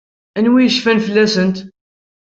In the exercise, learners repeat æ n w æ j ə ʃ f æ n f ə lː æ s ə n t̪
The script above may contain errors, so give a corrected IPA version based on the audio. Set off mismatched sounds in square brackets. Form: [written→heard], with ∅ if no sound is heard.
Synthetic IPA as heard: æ n w [æ→i] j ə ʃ f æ n f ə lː æ s ə n t̪

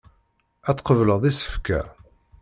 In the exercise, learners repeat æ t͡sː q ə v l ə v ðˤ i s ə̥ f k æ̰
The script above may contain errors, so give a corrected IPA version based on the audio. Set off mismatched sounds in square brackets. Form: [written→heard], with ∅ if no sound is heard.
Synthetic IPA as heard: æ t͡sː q ə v l ə [v→ʁ] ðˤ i s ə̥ f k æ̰

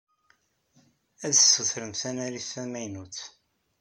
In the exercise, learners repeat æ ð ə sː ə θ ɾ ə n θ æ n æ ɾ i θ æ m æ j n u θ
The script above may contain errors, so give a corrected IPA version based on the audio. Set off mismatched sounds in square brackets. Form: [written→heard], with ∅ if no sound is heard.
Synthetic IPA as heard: æ ð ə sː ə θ ɾ ə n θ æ n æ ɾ i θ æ m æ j n u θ

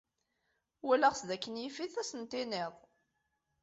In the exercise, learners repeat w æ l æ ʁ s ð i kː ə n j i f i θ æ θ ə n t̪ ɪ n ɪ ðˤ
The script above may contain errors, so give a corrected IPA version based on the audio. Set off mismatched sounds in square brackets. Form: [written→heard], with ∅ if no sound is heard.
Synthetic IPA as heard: w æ l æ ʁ s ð [i→æ] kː ə n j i f i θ æ [θ→s] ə n t̪ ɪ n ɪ ðˤ

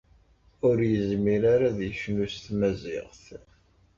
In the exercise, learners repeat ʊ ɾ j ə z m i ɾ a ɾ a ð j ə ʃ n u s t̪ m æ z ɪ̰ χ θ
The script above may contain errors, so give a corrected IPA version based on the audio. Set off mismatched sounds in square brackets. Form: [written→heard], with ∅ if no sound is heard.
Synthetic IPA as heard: ʊ ɾ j ə z m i ɾ a ɾ a ð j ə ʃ n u s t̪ m æ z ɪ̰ [χ→ʁ] θ

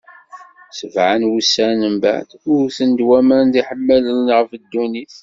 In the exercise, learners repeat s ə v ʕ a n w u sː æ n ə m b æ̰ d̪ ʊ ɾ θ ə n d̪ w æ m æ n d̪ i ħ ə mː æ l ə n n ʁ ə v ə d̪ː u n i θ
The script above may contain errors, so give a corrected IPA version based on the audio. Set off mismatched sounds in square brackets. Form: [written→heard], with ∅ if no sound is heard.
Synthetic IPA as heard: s ə v ʕ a n w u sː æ n ə m b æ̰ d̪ ʊ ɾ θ ə n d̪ w æ m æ n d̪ i ħ ə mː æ l ə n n ʁ ə [v→f] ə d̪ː u n i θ

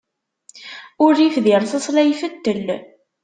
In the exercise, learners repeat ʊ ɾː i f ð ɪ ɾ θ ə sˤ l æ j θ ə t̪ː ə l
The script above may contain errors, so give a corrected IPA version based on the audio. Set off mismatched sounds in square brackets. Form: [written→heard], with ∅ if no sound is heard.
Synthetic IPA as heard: ʊ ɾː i f ð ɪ ɾ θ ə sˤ l æ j [θ→f] ə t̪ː ə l

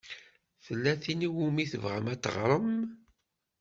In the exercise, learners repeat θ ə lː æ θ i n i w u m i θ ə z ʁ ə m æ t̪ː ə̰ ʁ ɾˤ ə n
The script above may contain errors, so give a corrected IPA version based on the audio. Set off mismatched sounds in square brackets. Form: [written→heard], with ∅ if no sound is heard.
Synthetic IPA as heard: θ ə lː æ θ i n i w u m i θ ə [z→v] ʁ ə m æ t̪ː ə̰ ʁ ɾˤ ə [n→m]

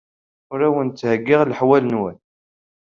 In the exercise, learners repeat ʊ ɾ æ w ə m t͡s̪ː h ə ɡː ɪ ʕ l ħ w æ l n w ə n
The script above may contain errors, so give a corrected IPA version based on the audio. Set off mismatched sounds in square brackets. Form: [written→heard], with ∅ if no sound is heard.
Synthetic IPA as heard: ʊ ɾ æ w ə [m→n] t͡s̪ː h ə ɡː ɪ [ʕ→ʁ] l ħ w æ l n w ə n

